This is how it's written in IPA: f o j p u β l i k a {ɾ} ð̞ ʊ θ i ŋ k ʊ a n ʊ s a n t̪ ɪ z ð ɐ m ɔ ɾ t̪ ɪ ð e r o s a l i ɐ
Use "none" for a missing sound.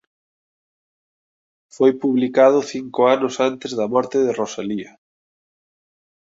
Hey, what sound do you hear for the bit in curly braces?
none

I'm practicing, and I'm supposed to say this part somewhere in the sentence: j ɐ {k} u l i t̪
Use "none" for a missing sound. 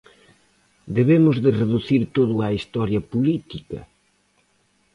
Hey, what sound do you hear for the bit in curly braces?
p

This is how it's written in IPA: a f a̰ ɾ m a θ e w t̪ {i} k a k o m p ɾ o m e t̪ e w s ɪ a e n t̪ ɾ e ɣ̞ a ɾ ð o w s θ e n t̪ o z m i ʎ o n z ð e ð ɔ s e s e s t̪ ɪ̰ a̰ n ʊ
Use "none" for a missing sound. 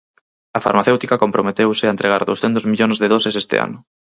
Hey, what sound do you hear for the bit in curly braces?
i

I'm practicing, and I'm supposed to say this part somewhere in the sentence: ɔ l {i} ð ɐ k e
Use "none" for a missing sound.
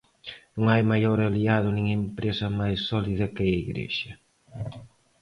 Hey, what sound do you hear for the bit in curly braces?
i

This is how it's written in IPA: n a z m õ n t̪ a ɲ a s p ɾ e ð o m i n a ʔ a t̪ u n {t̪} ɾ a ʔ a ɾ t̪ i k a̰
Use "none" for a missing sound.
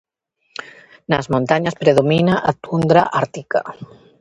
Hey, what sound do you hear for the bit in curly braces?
d̪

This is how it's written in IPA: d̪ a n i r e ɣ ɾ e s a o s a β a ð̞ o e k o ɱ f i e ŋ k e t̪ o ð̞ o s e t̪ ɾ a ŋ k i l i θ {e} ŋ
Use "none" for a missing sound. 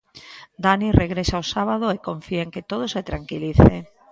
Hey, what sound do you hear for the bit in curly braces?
e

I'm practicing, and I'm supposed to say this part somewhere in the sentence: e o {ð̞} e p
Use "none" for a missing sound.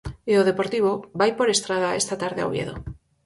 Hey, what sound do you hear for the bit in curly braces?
ð̞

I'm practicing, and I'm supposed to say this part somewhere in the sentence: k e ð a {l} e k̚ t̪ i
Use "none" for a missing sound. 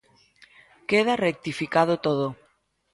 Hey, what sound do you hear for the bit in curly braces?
r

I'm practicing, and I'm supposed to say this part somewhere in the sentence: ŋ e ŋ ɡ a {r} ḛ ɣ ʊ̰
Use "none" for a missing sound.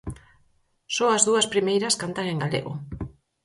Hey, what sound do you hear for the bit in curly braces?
l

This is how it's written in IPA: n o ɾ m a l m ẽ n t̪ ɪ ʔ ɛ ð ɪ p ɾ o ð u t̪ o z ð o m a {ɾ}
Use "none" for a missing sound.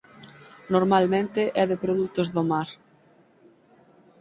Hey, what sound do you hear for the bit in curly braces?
ɾ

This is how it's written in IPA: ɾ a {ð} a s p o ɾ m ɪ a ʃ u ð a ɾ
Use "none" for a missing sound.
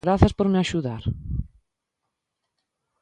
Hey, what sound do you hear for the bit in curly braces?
θ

